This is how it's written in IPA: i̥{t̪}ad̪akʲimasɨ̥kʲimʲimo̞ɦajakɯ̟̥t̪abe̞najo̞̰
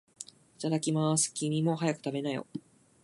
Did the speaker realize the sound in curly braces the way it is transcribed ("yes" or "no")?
yes